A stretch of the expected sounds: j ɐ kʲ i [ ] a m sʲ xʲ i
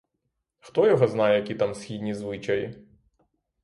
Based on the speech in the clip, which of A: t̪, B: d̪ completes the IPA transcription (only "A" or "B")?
A